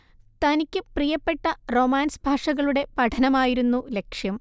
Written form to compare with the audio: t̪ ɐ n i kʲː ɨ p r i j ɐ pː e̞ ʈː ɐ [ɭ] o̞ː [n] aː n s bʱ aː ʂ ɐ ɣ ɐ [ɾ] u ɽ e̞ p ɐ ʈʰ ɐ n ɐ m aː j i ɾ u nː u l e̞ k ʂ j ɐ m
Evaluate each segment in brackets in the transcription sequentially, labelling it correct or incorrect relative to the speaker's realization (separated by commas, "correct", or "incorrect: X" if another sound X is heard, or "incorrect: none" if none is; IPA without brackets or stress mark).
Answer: incorrect: r, incorrect: m, incorrect: ɭ